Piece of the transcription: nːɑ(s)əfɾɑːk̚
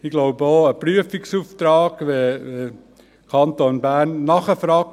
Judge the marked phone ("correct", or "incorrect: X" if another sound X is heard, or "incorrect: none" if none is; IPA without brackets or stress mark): incorrect: χ